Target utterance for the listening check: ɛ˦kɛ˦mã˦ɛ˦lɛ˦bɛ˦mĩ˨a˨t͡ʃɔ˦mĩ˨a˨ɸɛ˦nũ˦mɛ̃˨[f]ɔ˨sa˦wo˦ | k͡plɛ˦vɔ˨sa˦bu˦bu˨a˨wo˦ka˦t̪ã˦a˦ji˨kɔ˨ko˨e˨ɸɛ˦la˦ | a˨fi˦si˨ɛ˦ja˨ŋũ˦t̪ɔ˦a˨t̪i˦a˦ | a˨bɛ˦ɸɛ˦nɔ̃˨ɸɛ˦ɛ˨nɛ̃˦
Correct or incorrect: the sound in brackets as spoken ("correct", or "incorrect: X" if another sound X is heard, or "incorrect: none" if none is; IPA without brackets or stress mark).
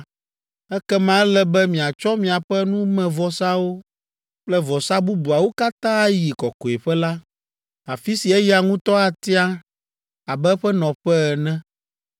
incorrect: v